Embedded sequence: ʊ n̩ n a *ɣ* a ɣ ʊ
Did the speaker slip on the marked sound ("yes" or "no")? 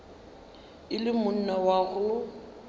yes